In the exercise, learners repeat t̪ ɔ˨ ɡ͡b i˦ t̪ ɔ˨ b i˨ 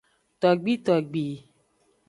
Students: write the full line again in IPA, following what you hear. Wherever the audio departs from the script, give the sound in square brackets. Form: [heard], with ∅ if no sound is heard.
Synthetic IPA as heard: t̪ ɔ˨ ɡ͡b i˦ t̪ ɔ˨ [ɡ͡b] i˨

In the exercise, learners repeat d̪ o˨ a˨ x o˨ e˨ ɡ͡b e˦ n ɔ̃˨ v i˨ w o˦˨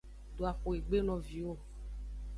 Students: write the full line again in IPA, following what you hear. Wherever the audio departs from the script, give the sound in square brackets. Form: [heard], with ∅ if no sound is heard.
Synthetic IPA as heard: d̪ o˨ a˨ x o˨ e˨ ɡ͡b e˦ n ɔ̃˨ v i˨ w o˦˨

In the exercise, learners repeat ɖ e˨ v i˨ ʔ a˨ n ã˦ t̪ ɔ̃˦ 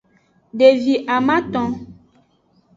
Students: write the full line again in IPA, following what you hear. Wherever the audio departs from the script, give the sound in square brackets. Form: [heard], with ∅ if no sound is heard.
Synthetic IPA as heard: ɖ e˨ v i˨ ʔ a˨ [m] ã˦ t̪ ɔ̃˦

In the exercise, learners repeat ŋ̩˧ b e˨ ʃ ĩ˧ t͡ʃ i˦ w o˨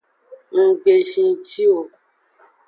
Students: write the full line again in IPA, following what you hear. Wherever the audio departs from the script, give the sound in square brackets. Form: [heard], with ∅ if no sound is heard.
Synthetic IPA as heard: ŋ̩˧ [ɡ͡b] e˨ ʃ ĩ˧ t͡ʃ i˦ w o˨

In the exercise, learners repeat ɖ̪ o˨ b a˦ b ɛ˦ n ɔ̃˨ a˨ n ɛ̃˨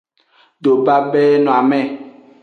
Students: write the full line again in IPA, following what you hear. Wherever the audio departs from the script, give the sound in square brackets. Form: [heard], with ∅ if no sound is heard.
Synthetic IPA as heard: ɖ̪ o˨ b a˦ b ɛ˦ n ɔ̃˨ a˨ [m] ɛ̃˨

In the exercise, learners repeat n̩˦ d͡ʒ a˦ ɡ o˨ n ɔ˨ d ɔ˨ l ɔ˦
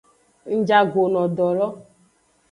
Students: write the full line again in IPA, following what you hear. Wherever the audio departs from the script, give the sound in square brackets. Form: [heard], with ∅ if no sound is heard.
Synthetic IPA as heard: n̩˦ d͡ʒ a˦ ɡ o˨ n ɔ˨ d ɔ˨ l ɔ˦

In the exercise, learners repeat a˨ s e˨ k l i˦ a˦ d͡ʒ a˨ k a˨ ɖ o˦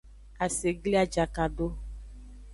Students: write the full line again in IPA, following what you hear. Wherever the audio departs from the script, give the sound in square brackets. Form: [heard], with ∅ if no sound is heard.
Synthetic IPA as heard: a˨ s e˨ [ɡ] l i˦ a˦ d͡ʒ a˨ k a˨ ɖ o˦

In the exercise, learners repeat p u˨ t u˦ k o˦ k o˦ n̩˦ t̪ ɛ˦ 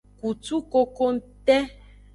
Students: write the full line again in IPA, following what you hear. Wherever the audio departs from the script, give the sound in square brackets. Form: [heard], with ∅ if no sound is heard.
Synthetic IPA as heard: [k] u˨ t u˦ k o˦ k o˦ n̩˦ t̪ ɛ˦

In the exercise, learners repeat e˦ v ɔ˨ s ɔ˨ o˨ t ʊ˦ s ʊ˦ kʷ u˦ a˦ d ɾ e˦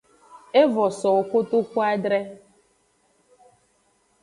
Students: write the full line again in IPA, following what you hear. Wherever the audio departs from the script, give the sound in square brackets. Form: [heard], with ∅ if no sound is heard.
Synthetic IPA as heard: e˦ v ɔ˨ s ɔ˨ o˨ [k] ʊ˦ [t] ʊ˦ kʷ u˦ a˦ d ɾ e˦

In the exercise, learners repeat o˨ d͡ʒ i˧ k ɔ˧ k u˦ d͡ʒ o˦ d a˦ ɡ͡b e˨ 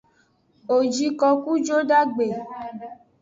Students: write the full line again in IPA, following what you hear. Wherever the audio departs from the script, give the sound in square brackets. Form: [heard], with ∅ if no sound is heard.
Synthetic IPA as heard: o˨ d͡ʒ i˧ k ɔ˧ k u˦ d͡ʒ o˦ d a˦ ɡ͡b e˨

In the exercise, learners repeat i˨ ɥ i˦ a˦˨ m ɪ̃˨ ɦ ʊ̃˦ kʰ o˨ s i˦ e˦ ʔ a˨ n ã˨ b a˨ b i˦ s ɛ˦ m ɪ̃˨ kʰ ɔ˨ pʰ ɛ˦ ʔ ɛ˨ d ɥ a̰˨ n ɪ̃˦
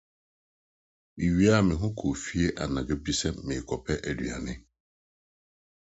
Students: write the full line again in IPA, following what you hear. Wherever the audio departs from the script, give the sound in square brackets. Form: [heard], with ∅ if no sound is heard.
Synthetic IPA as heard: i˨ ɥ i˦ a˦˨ m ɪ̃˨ ɦ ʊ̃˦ kʰ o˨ [f] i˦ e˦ ʔ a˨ n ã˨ [ɡ] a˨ b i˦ s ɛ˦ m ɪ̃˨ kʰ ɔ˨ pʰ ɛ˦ ʔ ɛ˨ d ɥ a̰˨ n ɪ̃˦

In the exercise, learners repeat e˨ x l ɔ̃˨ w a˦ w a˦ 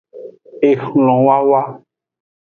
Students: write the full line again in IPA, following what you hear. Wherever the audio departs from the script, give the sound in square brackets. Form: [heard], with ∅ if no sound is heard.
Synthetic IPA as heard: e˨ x l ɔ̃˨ w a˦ w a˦

